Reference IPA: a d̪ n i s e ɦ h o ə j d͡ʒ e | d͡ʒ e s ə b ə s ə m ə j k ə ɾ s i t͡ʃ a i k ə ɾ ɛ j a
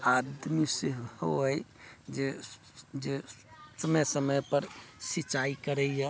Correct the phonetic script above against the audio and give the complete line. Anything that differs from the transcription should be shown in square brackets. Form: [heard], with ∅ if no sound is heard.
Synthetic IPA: a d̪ [m] i s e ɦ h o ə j d͡ʒ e | d͡ʒ e s ə [m] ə s ə m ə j [p] ə ɾ s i t͡ʃ a i k ə ɾ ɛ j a